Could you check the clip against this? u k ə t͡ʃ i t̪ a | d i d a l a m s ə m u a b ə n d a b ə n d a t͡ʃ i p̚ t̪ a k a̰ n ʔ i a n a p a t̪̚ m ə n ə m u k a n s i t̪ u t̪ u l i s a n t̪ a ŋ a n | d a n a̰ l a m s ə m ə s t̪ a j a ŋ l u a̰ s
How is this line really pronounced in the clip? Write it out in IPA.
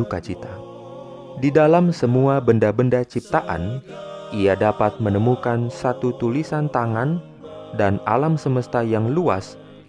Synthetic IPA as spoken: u k a t͡ʃ i t̪ a | d i d a l a m s ə m u a b ə n d a b ə n d a t͡ʃ i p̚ t̪ a ʔ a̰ n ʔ i a d a p a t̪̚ m ə n ə m u k a n s a t̪ u t̪ u l i s a n t̪ a ŋ a n | d a n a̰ l a m s ə m ə s t̪ a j a ŋ l u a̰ s